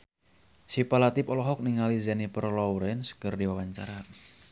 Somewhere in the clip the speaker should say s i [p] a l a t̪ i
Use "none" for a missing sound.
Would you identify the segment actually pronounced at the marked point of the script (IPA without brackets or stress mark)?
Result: p